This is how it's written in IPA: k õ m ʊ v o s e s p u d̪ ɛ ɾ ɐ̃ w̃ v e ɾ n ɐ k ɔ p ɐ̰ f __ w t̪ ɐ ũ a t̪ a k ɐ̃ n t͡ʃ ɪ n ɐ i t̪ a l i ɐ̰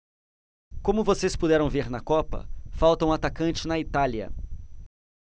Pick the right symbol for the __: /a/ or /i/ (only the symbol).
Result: a